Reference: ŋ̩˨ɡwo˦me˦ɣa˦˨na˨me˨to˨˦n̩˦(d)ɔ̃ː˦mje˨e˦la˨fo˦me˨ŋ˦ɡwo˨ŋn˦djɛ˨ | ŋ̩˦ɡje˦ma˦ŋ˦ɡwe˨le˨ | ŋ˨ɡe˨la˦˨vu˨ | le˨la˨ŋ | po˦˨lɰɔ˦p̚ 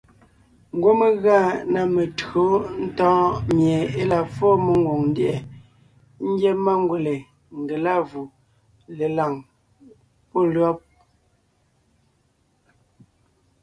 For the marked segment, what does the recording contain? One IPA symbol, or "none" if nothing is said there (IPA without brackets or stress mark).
t